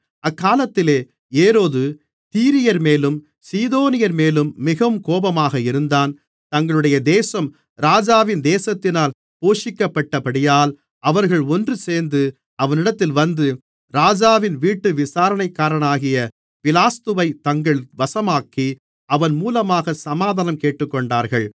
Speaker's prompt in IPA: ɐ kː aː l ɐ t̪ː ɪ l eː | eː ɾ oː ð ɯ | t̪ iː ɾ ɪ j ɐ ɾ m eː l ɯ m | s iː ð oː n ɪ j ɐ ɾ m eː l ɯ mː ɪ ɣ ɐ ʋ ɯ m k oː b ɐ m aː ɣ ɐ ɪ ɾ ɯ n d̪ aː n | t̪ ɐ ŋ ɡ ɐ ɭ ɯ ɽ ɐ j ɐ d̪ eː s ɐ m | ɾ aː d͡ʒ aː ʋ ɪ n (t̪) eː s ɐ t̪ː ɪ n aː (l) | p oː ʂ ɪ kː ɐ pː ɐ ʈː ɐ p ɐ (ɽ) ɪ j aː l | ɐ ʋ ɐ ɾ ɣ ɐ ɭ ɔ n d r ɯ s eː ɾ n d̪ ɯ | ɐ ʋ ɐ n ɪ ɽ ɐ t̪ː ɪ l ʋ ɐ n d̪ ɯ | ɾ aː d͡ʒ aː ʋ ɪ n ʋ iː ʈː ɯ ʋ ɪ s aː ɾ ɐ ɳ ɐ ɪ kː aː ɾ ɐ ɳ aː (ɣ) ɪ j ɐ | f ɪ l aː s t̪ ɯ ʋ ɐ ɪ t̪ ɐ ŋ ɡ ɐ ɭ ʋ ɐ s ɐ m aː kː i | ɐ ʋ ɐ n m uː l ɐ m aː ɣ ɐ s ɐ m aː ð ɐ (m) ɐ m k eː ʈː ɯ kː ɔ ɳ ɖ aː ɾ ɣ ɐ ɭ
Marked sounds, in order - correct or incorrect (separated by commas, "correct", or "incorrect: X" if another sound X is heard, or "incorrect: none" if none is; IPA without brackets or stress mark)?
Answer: incorrect: d̪, correct, correct, correct, incorrect: n